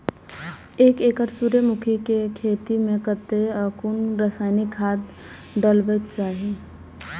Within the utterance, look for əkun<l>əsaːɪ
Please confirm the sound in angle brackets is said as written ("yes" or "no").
no